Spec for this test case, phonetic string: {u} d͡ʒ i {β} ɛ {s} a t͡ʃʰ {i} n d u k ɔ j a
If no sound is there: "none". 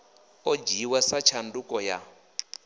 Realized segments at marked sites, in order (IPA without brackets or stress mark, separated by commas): ɔ, w, s, a